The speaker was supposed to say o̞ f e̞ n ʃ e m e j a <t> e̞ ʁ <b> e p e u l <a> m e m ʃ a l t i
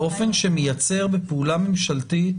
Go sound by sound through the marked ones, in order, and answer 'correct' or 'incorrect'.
incorrect: t͡s, correct, correct

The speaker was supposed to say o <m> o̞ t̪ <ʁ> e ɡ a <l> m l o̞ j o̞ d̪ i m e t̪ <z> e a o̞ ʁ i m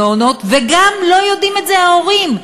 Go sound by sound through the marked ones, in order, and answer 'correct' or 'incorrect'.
incorrect: n, incorrect: v, incorrect: none, correct

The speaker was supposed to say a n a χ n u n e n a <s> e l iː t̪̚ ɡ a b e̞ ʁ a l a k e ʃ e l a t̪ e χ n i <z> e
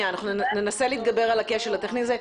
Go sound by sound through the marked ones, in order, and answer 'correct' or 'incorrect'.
correct, correct

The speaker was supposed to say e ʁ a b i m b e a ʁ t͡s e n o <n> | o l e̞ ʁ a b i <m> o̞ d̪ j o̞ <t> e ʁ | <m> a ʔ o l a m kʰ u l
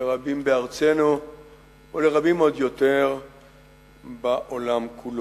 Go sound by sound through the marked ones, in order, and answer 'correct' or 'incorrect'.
incorrect: none, correct, correct, incorrect: b

